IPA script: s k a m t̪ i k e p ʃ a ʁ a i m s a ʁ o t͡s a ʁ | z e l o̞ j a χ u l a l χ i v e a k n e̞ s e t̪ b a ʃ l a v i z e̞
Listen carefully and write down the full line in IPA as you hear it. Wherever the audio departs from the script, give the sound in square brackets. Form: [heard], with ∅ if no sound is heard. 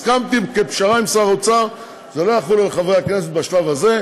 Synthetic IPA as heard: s k a m t̪ i k e p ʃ a ʁ a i m s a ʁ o t͡s a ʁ | z e l o̞ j a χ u l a l χ [a] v e a k n e̞ s e t̪ b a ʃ l a v [a] z e̞